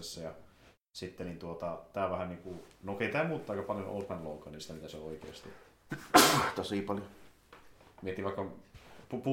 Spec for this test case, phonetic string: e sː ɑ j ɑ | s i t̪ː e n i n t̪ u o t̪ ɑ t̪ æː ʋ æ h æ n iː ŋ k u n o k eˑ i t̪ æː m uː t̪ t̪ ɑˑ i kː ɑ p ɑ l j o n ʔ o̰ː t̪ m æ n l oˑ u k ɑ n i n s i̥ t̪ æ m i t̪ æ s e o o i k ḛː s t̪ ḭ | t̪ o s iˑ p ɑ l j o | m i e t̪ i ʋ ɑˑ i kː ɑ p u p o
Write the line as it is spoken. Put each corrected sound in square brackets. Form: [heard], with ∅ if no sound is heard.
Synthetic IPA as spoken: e sː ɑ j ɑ | s i t̪ː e n i n t̪ u o t̪ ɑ t̪ æː ʋ æ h æ n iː ŋ k u n o k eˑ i t̪ æː m uː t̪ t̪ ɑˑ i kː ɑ p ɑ l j o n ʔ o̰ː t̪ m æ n l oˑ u k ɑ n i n s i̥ t̪ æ m i t̪ æ s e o o i k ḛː s t̪ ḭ | t̪ o s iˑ p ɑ l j o | m i e t̪ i ʋ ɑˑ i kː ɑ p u p [u]